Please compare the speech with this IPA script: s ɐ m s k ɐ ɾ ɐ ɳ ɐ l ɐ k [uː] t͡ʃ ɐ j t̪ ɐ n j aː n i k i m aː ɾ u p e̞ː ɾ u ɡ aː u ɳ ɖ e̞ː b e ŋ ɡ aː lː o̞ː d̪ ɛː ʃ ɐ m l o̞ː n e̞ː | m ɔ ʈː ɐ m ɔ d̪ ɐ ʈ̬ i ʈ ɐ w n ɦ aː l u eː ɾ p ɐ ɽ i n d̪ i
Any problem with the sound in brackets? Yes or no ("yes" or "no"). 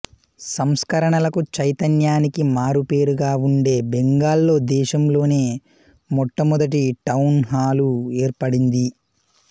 yes